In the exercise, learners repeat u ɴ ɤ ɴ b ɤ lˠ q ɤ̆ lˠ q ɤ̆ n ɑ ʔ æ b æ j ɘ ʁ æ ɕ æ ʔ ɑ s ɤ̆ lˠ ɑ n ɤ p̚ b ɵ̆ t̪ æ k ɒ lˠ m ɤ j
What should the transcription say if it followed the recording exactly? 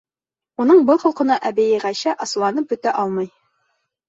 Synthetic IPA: u n ɤ ɴ b ɤ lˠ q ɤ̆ lˠ q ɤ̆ n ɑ ʔ æ b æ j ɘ ʁ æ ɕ æ ʔ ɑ s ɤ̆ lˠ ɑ n ɤ p̚ b ɵ̆ t̪ æ ʔ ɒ lˠ m ɤ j

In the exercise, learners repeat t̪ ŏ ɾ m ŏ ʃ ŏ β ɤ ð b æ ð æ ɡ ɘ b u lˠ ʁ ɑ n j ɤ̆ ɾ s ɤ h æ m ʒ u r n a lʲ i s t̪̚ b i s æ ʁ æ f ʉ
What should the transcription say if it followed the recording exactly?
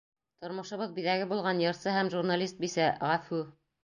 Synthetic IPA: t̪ ŏ ɾ m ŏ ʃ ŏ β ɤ ð b i ð æ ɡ ɘ b u lˠ ʁ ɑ n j ɤ̆ ɾ s ɤ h æ m ʒ u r n a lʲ i s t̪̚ b i s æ ʁ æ f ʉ

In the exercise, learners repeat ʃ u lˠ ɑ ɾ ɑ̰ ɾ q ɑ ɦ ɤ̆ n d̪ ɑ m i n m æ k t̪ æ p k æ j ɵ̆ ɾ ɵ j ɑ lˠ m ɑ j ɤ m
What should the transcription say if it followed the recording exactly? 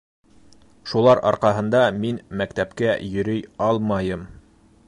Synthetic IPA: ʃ u lˠ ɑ ɾ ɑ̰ ɾ q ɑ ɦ ɤ̆ n d̪ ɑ m i n m æ k t̪ æ p k æ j ɵ̆ ɾ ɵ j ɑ lˠ m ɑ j ɤ m

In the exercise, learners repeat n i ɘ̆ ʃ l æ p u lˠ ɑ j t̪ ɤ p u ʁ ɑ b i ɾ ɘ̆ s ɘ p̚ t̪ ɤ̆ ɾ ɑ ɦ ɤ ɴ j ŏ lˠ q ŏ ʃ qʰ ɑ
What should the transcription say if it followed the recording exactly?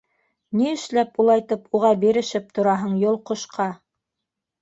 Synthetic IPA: n i ɘ̆ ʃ l æ p u lˠ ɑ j t̪ ɤ p u ʁ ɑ b i ɾ ɘ̆ ʃ ɘ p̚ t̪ ŏ ɾ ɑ ɦ ɤ ɴ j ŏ lˠ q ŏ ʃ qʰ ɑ

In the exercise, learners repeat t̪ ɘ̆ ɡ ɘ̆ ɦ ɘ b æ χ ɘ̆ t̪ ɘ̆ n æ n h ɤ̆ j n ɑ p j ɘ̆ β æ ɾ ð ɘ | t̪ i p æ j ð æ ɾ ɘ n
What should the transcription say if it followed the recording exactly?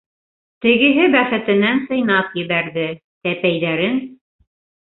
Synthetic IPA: t̪ ɘ̆ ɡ ɘ̆ ɦ ɘ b æ χ ɘ̆ t̪ ɘ̆ n æ n s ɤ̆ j n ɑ p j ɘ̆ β æ ɾ ð ɘ | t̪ æ p æ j ð æ ɾ ɘ n

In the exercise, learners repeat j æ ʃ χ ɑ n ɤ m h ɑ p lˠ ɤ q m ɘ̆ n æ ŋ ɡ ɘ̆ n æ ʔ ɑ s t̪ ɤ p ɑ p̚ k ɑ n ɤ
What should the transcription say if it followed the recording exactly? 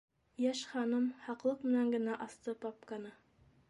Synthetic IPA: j æ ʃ χ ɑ n ɤ m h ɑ q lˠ ɤ q m ɘ̆ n æ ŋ ɡ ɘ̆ n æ ʔ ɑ s t̪ ɤ p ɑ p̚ k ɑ n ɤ

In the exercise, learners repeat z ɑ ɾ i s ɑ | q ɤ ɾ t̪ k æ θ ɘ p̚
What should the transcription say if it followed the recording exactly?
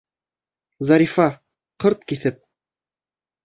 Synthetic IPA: z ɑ ɾ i f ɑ | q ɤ ɾ t̪ k i θ ɘ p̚

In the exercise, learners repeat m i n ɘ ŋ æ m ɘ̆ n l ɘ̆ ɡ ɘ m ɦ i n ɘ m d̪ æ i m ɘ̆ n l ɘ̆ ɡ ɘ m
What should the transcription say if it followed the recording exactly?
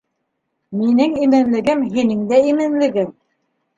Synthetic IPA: m i n ɘ ŋ i m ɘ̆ n l ɘ̆ ɡ ɘ m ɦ i n ɘ ŋ d̪ æ i m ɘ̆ n l ɘ̆ ɡ ɘ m

